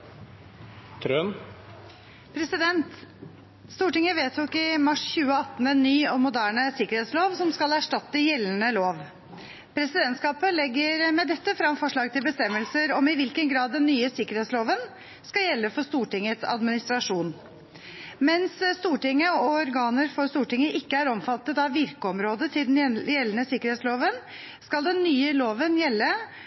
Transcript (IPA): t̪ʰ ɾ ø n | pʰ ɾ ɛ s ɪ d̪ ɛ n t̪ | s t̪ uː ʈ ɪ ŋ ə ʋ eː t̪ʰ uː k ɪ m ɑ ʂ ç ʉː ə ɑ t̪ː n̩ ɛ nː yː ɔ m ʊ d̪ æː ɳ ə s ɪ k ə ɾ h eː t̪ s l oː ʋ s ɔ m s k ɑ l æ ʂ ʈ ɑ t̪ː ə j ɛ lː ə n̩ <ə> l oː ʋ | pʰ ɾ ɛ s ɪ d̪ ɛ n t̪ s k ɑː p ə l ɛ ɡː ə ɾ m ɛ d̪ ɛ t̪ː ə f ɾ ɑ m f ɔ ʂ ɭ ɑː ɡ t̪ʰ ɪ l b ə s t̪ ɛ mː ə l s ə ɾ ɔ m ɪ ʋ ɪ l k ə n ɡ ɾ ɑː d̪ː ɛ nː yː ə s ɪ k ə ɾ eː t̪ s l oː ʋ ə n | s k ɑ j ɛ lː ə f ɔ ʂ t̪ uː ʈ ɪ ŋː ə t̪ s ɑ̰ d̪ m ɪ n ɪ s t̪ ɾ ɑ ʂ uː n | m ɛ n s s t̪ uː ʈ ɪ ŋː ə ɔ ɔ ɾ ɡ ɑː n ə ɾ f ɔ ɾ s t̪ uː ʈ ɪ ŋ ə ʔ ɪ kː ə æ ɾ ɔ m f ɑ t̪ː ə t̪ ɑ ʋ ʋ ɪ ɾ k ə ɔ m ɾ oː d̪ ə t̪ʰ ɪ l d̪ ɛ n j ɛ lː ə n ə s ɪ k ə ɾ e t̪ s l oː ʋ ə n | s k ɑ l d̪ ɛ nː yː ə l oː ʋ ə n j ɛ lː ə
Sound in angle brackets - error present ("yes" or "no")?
no